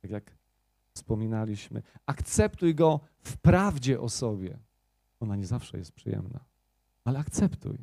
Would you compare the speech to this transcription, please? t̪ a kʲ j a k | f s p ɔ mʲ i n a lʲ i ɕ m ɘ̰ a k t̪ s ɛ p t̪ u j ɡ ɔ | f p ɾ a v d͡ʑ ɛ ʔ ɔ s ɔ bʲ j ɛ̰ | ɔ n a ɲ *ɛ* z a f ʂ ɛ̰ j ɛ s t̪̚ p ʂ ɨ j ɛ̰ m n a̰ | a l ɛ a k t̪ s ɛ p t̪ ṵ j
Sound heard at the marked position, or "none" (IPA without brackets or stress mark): ɛ